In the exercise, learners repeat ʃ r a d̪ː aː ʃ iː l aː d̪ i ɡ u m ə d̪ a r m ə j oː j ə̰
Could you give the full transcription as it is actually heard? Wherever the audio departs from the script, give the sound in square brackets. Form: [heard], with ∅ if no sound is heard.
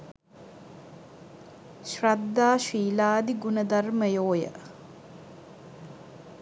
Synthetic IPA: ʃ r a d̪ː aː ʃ iː l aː d̪ i ɡ u [n] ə d̪ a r m ə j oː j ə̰